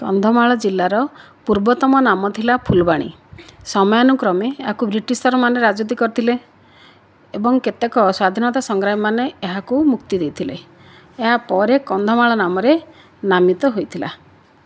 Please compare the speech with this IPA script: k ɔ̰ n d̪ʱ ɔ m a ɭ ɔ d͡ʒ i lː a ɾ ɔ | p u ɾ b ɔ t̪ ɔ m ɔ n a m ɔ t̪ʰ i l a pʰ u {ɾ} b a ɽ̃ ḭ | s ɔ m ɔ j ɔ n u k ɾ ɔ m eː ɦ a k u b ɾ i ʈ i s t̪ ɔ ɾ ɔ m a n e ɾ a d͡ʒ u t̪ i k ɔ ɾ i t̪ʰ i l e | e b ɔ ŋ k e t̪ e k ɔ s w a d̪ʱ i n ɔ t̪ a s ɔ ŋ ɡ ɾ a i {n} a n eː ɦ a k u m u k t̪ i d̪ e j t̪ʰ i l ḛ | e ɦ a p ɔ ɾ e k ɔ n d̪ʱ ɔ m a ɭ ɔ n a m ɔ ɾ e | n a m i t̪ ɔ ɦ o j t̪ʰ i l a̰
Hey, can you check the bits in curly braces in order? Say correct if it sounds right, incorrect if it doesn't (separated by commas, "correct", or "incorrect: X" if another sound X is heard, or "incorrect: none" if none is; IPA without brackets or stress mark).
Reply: incorrect: l, incorrect: m